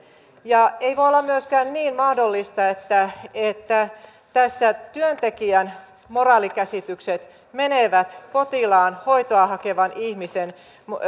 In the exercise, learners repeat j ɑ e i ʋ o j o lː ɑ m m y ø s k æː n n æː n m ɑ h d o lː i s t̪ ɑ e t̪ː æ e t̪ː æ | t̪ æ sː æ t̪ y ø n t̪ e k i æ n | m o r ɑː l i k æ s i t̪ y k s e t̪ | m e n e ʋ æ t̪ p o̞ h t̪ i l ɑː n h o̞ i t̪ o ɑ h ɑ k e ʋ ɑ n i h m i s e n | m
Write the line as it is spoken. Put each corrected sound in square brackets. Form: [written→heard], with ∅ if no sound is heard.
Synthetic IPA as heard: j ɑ e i ʋ o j o lː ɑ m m y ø s k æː n n [æː→iː] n m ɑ h d o lː i s t̪ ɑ e t̪ː æ e t̪ː æ | t̪ æ sː æ t̪ y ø n t̪ e k i æ n | m o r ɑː l i k æ s i t̪ y k s e t̪ | m e n e ʋ æ t̪ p o̞ [h→∅] t̪ i l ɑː n h o̞ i t̪ o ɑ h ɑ k e ʋ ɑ n i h m i s e n | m

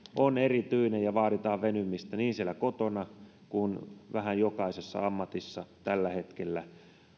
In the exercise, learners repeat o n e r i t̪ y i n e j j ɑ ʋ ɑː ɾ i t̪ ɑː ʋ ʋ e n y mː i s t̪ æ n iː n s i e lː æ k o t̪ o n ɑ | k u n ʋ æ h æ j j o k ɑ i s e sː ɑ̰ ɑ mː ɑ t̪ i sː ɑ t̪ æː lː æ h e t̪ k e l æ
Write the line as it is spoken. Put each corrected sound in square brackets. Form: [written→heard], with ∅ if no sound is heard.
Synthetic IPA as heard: o n e r i t̪ y i n e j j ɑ ʋ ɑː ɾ i t̪ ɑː ʋ ʋ e n y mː i s t̪ æ n iː n s i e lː æ k o t̪ o n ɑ | k u n ʋ æ h æ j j o k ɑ i s e sː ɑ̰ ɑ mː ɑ t̪ i sː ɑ t̪ [æː→æ] lː æ h e t̪ k e [l→lː] æ

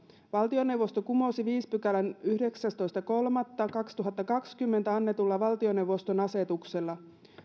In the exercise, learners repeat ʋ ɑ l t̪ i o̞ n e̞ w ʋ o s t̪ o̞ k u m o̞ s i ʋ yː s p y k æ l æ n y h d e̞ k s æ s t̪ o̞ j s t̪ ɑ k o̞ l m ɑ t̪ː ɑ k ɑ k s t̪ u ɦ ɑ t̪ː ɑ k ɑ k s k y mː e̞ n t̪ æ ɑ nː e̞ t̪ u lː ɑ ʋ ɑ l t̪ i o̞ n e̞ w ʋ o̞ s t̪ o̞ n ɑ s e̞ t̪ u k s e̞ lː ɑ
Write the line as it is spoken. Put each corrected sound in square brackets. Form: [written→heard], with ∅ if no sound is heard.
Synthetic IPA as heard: ʋ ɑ l t̪ i o̞ n e̞ w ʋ o s t̪ o̞ k u m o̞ s i ʋ [yː→iː] s p y k æ l æ n y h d e̞ k s æ s t̪ o̞ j s t̪ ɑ k o̞ l m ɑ t̪ː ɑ k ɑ k s t̪ u ɦ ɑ t̪ː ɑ k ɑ k s k y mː e̞ n t̪ æ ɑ nː e̞ t̪ u lː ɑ ʋ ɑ l t̪ i o̞ n e̞ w ʋ o̞ s t̪ o̞ n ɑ s e̞ t̪ u k s e̞ lː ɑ

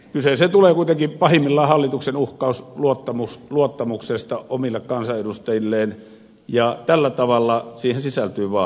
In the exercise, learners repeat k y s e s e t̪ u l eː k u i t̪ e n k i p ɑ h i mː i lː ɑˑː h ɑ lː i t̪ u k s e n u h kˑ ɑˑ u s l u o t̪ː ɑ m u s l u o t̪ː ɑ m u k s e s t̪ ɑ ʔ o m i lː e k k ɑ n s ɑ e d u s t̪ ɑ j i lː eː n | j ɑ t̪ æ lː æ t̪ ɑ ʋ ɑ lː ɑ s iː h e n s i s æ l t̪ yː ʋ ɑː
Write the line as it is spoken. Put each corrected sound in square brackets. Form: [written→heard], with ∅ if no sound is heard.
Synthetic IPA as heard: k y s e s e t̪ u l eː k u i t̪ e [n→ŋ] k i p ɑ h i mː i lː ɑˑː h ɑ lː i t̪ u k s e n u h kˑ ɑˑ u s l u o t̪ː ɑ m u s l u o t̪ː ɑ m u k s e s t̪ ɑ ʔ o m i lː e k k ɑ n s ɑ e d u s t̪ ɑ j i lː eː n | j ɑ t̪ æ lː æ t̪ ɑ ʋ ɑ lː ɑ s iː h e n s i s æ l t̪ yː ʋ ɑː

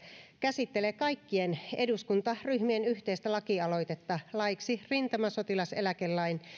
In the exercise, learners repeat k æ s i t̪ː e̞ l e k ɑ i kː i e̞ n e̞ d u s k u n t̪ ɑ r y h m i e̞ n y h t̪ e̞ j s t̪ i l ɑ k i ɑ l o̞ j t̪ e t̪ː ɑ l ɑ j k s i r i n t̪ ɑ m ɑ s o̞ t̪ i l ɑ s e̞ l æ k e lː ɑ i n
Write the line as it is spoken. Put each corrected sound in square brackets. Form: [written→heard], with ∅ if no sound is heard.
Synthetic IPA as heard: k æ s i t̪ː e̞ l e k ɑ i kː i e̞ n e̞ d u s k u n t̪ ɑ r y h m i e̞ n y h t̪ e̞ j s t̪ [i→æ] l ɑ k i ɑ l o̞ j t̪ e t̪ː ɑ l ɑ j k s i r i n t̪ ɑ m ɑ s o̞ t̪ i l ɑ s e̞ l æ k e lː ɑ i n

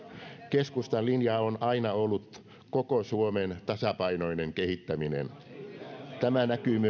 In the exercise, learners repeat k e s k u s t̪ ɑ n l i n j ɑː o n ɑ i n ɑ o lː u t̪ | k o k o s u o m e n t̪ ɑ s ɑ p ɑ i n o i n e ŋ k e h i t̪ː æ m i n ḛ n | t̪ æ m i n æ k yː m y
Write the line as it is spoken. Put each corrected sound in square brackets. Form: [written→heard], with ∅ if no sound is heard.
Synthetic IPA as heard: k e s k u s t̪ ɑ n l i n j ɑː o n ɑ i n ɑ o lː u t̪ | k o k o s u o m e n t̪ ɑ s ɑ p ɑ i n o i n e ŋ k e h i t̪ː æ m i n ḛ n | t̪ æ m [i→æ] n æ k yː m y

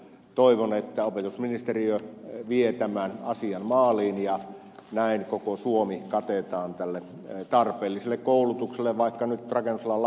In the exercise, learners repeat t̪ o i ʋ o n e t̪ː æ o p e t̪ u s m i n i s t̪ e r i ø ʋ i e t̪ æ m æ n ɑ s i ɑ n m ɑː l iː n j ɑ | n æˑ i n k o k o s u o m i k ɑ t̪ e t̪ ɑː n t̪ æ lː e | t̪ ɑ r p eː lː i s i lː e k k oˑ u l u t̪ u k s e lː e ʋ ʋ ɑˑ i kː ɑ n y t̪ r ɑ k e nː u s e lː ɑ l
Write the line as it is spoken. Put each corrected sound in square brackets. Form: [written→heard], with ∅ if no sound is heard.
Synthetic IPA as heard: t̪ o i ʋ o n e t̪ː æ o p e t̪ u s m i n i s t̪ e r i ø ʋ i e t̪ æ m æ n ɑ s i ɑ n m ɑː l iː n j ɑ | n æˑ i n k o k o s u o m i k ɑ t̪ e t̪ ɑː n t̪ æ lː e | t̪ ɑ r p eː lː i s [i→e] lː e k k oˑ u l u t̪ u k s e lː e ʋ ʋ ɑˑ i kː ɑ n y t̪ r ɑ k e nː u s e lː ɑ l

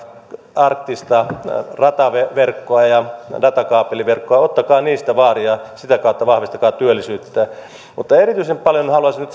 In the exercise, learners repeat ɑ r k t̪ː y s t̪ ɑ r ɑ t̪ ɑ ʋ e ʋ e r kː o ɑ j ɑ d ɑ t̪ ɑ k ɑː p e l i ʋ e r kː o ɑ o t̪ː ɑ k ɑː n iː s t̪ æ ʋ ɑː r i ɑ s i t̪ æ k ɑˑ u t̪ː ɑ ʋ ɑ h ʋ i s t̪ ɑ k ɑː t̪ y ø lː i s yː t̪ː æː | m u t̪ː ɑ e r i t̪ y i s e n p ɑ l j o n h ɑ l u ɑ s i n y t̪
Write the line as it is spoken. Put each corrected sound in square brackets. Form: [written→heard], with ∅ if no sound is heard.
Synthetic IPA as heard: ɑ r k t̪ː [y→i] s t̪ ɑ r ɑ t̪ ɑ ʋ e ʋ e r kː o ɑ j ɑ d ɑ t̪ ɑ k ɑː p e l i ʋ e r kː o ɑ o t̪ː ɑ k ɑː n iː s t̪ æ ʋ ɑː r i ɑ s i t̪ æ k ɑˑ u t̪ː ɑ ʋ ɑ h ʋ i s t̪ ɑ k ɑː t̪ y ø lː i s yː t̪ː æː | m u t̪ː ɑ e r i t̪ y i s e [n→m] p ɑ l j o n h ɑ l u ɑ s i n y t̪

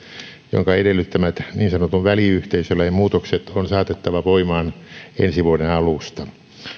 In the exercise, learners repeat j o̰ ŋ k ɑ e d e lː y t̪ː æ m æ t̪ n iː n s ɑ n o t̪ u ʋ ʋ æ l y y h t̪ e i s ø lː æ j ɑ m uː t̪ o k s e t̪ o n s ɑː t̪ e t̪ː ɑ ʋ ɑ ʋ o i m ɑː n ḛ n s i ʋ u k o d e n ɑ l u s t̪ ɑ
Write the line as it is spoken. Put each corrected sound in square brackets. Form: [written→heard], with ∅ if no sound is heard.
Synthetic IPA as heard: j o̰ ŋ k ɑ e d e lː y t̪ː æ m æ t̪ n iː n s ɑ n o t̪ u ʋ ʋ æ l [y→i] y h t̪ e i s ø lː æ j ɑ m uː t̪ o k s e t̪ o n s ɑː t̪ e t̪ː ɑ ʋ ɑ ʋ o i m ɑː n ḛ n s i ʋ u [k→∅] o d e n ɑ l u s t̪ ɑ

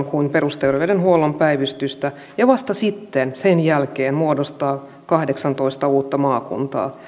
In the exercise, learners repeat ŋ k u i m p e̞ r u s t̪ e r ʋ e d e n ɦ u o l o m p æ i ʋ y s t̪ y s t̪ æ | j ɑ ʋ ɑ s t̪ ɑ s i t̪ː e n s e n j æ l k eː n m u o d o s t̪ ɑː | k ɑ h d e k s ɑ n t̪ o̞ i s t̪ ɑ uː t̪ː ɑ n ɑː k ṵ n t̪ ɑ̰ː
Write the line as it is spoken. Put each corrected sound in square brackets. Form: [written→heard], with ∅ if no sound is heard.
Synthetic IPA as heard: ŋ k u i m p e̞ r u s t̪ e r ʋ e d e n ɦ u o l o m p æ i ʋ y s t̪ y s t̪ æ | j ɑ ʋ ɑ s t̪ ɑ s i t̪ː e n s e n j æ l k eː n m u o d o s t̪ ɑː | k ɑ h d e k s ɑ n t̪ o̞ i s t̪ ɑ uː t̪ː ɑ [n→m] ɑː k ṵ n t̪ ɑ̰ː

